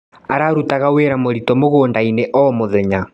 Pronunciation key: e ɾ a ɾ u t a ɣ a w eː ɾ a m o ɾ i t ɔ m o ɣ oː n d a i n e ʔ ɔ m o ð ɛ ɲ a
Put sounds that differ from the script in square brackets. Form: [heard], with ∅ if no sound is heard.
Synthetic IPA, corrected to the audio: [a] ɾ a ɾ u t a ɣ a w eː ɾ a m o ɾ i t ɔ m o ɣ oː n d a i n e ʔ ɔ m o ð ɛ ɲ a